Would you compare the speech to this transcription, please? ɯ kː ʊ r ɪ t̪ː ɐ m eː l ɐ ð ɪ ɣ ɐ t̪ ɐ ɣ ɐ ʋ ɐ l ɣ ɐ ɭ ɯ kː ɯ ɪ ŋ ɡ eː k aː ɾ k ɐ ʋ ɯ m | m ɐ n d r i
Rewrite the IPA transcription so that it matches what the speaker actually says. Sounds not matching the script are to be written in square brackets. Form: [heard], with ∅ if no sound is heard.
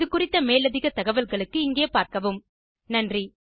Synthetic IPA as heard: ɯ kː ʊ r ɪ t̪ː ɐ m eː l ɐ ð ɪ ɣ ɐ t̪ ɐ ɣ ɐ ʋ ɐ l ɣ ɐ ɭ ɯ kː ɯ ɪ ŋ ɡ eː [p] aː ɾ k ɐ ʋ ɯ m | [n] ɐ n d r i